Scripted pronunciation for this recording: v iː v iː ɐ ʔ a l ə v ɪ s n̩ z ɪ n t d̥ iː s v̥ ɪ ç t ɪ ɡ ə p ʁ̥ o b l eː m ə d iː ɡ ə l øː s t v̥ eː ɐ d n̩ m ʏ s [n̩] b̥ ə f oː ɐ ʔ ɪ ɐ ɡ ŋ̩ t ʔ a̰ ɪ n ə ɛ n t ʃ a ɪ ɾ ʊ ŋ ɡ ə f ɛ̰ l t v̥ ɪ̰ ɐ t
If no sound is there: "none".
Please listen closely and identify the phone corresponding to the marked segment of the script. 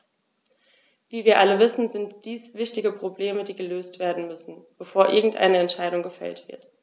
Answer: n̩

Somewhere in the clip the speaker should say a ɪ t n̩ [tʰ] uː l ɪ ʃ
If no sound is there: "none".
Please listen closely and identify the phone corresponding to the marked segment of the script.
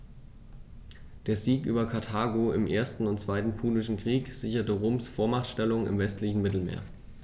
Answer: pʰ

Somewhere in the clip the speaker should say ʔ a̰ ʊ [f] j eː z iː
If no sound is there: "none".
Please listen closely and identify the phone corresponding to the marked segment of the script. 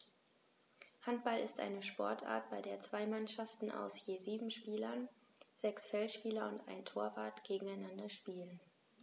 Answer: s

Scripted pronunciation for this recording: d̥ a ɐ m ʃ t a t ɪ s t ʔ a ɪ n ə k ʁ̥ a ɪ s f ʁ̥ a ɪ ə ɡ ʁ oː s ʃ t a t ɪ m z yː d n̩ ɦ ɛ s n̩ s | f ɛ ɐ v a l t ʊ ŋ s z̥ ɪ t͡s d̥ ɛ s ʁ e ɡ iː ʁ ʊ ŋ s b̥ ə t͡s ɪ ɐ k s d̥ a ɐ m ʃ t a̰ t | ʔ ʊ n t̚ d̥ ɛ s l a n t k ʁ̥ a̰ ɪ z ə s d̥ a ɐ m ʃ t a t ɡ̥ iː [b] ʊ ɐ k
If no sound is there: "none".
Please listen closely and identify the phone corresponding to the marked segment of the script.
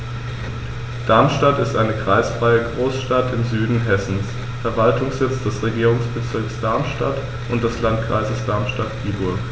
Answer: b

